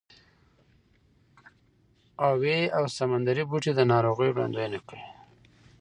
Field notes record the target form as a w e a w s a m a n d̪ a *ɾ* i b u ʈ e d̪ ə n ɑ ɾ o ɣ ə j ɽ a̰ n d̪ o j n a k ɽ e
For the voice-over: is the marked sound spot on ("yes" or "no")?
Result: yes